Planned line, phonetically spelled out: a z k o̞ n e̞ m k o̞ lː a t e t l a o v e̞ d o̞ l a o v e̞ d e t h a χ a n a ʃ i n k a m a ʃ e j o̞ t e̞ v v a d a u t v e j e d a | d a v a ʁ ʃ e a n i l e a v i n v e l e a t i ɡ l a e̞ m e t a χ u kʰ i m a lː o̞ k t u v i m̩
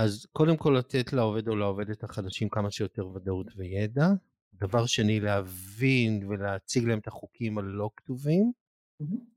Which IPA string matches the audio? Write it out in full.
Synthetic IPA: a z k o̞ d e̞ m k o̞ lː a t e t l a o v e̞ d o̞ l a o v e̞ d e t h a χ a d a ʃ i m k a m a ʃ e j o̞ t e̞ ʁ v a d a u t v e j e d a | d a v a ʁ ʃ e a n i l e a v i n v e l e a t͡s i ɡ l a e̞ m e t a χ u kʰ i m a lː o̞ k t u v i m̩